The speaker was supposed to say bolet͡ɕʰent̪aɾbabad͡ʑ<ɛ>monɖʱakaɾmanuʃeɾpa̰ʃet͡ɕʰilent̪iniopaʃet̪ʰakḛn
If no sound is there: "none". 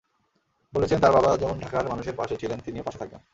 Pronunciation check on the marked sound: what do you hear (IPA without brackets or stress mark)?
ɛ